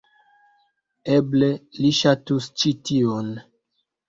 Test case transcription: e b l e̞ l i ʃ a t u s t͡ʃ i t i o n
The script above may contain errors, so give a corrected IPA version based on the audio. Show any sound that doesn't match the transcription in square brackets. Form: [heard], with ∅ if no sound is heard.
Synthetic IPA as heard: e b l e̞ l i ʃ a t u s t͡ʃ i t i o n

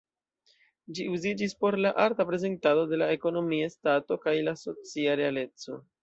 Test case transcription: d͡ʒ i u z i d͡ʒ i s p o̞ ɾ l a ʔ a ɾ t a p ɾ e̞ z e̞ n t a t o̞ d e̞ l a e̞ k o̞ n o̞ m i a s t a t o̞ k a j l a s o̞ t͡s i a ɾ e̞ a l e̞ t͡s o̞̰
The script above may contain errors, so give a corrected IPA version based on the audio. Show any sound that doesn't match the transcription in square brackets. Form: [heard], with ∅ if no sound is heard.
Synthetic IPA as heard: d͡ʒ i u z i d͡ʒ i s p o̞ ɾ l a ʔ a ɾ t a p ɾ e̞ z e̞ n t a [d] o̞ d e̞ l a e̞ k o̞ n o̞ m i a s t a t o̞ k a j l a s o̞ t͡s i a ɾ e̞ a l e̞ t͡s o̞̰

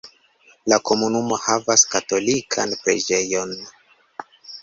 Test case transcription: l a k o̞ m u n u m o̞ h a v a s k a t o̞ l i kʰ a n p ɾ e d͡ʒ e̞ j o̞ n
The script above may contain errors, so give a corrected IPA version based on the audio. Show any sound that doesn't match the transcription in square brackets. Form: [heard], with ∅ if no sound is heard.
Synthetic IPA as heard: l a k o̞ m u n u m o̞ h a v a s k a t o̞ l i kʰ a n p ɾ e d͡ʒ e̞ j o̞ n

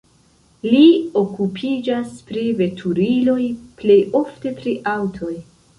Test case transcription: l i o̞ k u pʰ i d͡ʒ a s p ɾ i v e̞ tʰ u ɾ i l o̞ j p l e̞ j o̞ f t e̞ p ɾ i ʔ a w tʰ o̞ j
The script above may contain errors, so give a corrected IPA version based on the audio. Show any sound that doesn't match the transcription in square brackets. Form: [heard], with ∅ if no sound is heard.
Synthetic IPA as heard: l i o̞ k u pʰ i d͡ʒ a s p ɾ i v e̞ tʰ u ɾ i l o̞ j p l e̞ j o̞ f t e̞ p ɾ i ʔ a w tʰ o̞ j

